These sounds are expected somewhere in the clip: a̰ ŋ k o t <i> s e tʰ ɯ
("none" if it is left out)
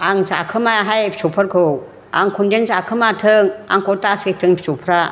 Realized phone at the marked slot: a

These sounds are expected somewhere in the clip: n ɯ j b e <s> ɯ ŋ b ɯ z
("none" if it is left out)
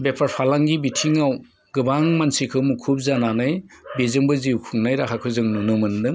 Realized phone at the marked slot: z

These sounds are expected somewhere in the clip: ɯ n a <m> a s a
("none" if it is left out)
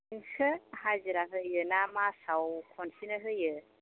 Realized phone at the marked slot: m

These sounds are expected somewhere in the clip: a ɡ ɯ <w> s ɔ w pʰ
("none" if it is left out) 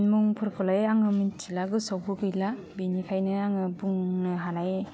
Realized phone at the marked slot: none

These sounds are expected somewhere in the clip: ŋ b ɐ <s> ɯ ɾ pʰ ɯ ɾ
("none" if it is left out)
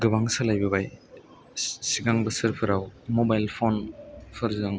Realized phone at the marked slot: s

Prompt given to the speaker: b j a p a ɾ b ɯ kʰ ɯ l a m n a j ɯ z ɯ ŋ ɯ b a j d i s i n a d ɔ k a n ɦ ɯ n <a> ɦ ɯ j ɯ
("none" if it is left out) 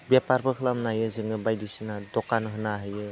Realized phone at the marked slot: a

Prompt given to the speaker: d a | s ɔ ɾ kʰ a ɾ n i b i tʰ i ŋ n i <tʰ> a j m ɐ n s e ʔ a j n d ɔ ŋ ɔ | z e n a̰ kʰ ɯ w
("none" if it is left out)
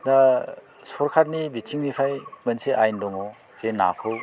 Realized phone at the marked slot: pʰ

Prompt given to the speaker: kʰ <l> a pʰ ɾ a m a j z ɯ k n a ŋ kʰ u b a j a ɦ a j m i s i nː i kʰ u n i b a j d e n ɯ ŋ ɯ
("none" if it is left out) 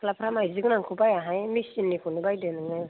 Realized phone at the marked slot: l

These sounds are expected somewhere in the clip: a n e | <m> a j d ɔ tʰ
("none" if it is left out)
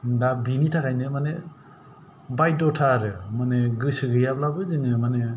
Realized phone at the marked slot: b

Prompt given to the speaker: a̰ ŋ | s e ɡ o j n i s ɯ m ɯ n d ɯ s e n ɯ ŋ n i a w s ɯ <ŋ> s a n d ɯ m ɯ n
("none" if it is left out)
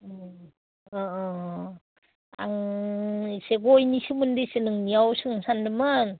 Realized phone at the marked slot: ŋ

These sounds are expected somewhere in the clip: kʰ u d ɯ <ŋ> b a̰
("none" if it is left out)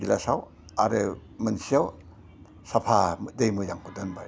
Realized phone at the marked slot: n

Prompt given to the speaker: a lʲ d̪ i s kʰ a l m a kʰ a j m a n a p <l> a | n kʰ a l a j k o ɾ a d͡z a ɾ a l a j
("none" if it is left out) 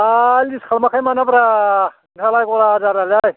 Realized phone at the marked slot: ɾ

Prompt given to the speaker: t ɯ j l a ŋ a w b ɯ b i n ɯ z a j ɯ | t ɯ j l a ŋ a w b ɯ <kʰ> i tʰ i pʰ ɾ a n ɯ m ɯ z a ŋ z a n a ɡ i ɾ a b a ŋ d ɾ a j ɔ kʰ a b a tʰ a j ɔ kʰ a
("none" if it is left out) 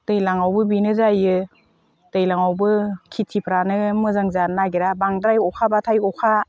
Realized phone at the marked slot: kʰ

